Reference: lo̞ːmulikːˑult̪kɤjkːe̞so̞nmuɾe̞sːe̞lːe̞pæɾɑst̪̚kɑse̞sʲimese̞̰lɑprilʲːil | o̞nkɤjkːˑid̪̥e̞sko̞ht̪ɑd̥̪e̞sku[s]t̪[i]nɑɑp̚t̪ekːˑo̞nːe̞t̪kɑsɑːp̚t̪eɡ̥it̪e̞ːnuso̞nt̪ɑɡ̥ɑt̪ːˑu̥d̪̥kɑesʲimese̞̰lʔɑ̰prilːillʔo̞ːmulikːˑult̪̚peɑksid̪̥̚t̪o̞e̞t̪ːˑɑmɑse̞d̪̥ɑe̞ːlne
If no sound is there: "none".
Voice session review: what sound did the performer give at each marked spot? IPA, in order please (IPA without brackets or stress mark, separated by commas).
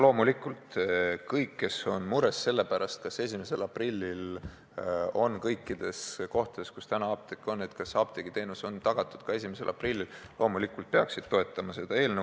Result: s, æ